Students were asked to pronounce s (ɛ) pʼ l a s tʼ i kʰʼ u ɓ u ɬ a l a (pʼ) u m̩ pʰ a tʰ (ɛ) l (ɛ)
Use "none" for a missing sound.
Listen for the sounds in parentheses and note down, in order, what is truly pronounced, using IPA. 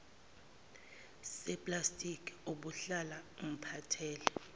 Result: ɛ, none, ɛː, ɛ

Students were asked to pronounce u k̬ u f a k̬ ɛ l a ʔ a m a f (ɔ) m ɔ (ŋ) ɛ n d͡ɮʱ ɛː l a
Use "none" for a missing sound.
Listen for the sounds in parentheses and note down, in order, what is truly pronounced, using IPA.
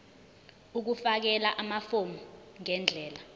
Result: o, ŋ

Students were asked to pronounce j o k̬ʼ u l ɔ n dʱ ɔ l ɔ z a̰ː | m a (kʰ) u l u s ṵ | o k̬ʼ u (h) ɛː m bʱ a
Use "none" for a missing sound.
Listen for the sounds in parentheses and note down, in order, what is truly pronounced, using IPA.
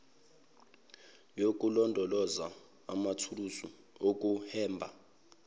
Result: tʰ, h

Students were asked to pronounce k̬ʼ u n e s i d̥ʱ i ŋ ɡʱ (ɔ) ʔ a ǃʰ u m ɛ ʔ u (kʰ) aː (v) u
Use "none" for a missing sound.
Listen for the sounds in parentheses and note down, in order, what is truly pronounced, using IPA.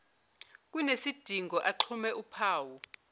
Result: ɔ, pʰ, w

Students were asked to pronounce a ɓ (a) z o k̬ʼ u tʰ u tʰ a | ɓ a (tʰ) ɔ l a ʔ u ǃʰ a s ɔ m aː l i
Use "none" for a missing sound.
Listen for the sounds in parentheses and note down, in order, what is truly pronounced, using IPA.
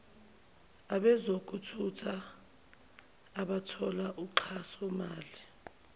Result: ɛ, tʰ

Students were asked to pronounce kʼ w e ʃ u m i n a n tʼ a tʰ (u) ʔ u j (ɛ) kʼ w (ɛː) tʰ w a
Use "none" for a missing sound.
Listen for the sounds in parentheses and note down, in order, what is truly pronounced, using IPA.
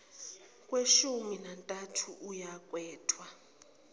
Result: u, a, ɛː

